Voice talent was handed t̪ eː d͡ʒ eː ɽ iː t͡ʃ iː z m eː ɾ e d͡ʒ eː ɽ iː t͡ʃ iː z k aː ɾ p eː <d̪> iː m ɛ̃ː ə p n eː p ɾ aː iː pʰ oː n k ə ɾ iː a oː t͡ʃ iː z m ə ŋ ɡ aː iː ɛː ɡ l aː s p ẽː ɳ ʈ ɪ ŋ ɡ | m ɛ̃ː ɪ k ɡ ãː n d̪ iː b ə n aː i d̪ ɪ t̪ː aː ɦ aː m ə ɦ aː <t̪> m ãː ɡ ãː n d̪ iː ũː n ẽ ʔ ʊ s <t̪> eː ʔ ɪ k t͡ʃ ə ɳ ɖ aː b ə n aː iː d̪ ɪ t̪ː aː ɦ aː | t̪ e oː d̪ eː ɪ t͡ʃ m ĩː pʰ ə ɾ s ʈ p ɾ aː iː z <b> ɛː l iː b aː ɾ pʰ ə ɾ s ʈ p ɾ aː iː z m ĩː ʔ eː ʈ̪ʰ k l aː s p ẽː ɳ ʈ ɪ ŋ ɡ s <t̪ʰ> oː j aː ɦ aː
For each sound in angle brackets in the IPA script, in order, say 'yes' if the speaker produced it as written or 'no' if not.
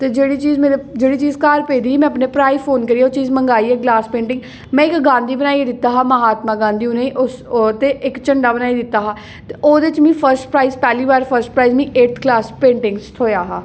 yes, yes, yes, no, yes

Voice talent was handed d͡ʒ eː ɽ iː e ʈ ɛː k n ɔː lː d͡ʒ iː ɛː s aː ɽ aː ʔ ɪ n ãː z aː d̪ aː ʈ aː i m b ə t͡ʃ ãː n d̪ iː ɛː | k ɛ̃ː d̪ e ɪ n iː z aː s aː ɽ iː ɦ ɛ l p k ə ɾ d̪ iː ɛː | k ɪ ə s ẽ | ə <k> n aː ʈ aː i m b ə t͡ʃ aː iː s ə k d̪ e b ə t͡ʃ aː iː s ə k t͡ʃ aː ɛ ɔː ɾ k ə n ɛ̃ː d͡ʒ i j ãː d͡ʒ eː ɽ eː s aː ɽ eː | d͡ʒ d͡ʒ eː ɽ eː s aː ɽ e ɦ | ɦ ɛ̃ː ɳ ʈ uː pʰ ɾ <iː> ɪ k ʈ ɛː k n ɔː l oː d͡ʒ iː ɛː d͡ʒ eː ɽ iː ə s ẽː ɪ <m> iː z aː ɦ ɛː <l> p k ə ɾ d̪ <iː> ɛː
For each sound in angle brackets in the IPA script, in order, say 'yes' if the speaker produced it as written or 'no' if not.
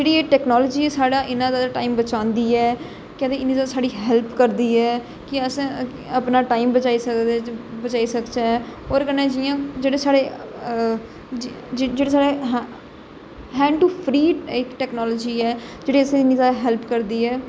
no, yes, no, yes, yes

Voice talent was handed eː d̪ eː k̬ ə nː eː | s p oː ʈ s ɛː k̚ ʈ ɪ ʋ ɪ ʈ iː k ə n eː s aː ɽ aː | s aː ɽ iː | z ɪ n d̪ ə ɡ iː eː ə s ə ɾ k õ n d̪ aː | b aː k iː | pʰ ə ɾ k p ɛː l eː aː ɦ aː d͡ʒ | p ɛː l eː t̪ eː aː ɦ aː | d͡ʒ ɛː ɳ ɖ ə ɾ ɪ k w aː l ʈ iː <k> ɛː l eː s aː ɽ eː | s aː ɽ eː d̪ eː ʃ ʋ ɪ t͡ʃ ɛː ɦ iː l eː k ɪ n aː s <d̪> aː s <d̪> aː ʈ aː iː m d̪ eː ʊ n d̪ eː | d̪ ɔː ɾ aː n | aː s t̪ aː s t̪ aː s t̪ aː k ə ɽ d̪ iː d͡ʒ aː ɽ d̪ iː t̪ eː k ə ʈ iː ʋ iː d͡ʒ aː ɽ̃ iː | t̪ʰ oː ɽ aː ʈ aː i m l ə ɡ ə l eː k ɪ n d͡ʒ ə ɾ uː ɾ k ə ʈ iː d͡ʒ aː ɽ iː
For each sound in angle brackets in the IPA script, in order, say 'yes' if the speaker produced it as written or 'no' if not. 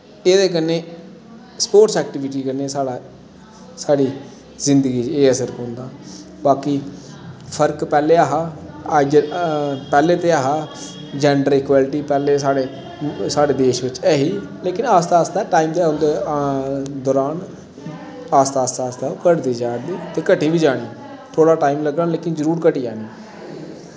no, no, no

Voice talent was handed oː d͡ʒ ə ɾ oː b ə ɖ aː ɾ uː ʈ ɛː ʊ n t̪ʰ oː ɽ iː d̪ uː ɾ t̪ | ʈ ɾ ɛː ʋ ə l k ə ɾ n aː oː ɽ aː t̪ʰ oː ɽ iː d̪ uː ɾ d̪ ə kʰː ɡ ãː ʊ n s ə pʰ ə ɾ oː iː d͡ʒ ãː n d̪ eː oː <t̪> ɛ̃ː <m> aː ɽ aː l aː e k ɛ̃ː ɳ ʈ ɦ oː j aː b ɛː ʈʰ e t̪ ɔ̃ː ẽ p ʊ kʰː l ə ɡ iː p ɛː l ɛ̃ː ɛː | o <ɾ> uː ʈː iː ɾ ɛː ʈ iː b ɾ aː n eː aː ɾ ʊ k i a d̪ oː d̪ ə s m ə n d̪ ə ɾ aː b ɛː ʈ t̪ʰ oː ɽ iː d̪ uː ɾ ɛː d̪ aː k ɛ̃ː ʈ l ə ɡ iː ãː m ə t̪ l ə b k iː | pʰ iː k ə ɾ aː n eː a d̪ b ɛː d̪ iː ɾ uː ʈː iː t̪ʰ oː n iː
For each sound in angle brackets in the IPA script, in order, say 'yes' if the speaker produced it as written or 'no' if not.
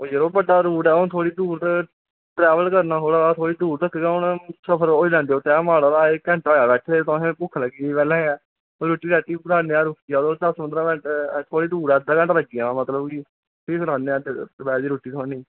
yes, yes, yes

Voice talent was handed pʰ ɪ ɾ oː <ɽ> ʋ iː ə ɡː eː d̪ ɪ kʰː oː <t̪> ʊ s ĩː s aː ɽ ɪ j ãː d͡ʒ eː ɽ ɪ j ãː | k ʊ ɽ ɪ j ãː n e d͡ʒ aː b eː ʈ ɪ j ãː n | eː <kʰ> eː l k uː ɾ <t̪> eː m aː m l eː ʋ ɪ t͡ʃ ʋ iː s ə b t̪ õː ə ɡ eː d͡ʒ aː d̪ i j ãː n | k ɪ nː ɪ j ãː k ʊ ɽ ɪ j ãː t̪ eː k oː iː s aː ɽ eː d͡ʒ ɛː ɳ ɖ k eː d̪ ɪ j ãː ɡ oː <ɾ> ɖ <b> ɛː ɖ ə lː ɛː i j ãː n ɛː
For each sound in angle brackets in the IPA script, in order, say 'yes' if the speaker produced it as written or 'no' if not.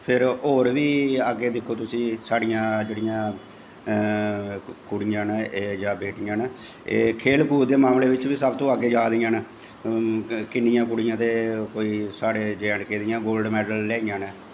no, yes, yes, no, no, no

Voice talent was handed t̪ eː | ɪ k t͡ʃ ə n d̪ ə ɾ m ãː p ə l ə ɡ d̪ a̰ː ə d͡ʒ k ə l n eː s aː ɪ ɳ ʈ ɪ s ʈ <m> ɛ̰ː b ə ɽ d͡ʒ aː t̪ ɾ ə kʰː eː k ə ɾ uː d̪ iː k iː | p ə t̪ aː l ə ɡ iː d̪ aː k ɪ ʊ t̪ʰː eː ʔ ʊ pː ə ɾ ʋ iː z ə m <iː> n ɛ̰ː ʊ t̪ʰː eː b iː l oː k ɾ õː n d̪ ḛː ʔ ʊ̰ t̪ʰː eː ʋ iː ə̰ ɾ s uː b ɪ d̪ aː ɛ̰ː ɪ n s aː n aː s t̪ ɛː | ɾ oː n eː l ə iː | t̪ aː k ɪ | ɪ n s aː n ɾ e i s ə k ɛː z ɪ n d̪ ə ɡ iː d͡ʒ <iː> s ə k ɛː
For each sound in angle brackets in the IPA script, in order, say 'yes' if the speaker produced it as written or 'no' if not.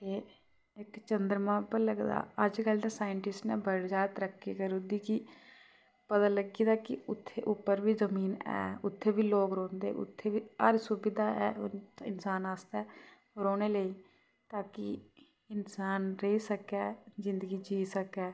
no, yes, yes

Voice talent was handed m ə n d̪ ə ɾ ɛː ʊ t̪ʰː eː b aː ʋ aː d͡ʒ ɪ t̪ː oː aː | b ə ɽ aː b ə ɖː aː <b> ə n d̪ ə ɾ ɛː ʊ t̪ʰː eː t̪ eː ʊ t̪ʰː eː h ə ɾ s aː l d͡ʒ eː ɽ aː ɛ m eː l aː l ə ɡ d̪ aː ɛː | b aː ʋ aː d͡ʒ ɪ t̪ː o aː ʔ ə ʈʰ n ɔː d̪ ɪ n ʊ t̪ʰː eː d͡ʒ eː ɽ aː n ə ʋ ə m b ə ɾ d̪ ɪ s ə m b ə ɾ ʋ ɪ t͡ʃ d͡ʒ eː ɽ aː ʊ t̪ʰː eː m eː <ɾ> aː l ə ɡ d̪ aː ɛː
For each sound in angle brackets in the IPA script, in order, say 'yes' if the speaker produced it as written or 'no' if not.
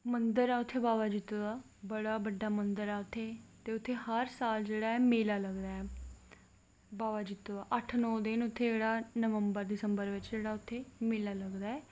no, no

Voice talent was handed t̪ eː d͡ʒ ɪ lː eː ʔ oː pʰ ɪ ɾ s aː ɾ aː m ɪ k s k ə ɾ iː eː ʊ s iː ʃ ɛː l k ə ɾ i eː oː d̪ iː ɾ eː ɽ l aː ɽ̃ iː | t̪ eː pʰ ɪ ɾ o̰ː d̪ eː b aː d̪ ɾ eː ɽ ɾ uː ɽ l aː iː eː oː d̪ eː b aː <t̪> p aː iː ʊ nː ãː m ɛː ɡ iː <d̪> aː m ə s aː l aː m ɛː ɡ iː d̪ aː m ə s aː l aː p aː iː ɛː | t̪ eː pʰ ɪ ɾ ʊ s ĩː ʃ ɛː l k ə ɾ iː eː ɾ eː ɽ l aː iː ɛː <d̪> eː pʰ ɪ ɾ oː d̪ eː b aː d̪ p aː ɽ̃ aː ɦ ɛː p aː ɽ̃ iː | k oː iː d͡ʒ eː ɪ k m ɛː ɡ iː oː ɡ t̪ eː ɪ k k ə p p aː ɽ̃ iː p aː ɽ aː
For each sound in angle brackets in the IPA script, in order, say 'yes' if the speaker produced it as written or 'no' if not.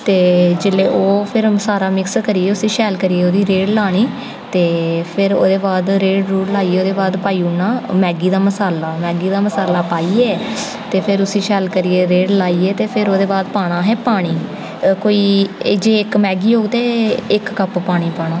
no, yes, no

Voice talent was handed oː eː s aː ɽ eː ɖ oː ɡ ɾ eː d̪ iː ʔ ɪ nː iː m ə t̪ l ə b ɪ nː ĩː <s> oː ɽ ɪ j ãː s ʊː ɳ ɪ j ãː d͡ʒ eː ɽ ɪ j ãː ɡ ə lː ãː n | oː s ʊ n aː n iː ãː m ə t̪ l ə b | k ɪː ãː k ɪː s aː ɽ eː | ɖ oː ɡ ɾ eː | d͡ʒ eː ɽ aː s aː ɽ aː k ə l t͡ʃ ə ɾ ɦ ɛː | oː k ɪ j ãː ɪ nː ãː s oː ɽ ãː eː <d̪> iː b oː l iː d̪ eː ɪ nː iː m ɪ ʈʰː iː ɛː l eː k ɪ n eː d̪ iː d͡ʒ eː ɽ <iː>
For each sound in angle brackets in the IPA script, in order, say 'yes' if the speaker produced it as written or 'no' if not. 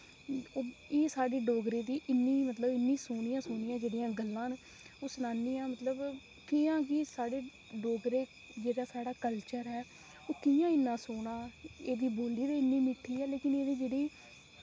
yes, yes, yes

